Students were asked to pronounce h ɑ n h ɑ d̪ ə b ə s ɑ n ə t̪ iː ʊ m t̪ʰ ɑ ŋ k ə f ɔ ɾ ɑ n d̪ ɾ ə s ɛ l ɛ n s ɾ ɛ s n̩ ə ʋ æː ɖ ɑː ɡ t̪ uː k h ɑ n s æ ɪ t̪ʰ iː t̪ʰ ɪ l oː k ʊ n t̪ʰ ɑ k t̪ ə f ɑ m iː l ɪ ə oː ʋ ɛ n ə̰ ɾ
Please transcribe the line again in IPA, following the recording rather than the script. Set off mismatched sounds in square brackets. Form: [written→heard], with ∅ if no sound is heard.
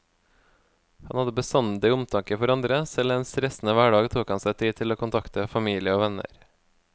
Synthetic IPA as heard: h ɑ n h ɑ d̪ ə b ə s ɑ n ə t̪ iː ʊ m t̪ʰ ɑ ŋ k ə f ɔ ɾ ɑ n d̪ ɾ ə s ɛ l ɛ n s ɾ ɛ s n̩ ə ʋ æː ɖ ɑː ɡ [t̪→t̪ʰ] uː k h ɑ n s æ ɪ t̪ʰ iː t̪ʰ ɪ l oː k ʊ n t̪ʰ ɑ k t̪ ə f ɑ m iː l ɪ ə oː ʋ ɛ n ə̰ ɾ